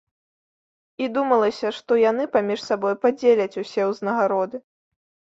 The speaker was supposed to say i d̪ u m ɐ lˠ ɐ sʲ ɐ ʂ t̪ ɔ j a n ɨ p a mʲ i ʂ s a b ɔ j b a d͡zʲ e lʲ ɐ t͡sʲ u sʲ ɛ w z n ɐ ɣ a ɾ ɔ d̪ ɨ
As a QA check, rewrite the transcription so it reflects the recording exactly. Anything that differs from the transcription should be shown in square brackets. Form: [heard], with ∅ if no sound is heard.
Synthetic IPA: i d̪ u m ɐ lˠ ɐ sʲ ɐ ʂ t̪ ɔ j a n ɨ p a mʲ i ʂ s a b ɔ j [p] a d͡zʲ e lʲ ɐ t͡sʲ u sʲ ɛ w z n ɐ ɣ a ɾ ɔ d̪ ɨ